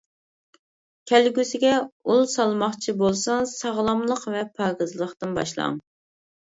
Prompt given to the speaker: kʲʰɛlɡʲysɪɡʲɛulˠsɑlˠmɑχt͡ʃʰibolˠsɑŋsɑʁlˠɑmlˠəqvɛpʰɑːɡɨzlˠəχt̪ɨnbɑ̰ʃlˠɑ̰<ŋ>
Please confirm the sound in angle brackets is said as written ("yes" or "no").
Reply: yes